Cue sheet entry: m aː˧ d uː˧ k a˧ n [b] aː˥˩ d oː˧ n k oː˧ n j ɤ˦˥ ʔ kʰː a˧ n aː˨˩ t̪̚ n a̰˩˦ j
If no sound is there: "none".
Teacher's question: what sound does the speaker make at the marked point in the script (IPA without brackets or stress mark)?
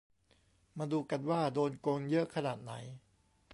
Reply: w